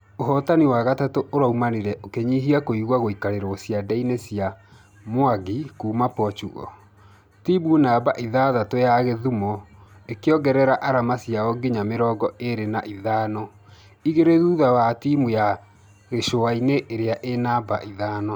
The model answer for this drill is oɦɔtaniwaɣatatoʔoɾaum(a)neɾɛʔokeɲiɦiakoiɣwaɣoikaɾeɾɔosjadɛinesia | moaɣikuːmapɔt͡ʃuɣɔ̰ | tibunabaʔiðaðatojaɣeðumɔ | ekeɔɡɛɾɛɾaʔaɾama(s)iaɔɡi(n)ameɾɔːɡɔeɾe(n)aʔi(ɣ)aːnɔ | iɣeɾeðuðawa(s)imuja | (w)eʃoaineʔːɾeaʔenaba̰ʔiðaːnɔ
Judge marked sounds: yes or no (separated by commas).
yes, yes, no, yes, no, no, no